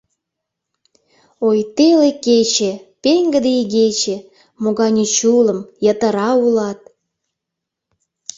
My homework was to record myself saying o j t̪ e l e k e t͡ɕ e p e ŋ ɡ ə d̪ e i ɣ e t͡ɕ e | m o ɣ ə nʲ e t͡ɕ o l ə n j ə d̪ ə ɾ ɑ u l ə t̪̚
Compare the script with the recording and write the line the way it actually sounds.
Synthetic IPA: o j t̪ e l e k e t͡ɕ e p e ŋ ɡ ə d̪ e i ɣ e t͡ɕ e | m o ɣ ɑ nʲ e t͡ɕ u l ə m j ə t̪ ə ɾ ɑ u l ɑ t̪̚